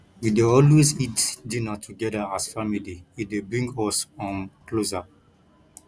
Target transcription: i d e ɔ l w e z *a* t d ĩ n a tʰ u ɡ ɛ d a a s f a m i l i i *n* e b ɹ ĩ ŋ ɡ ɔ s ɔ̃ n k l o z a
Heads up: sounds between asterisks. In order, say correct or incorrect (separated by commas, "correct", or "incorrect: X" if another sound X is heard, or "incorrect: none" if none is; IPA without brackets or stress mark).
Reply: incorrect: i, incorrect: d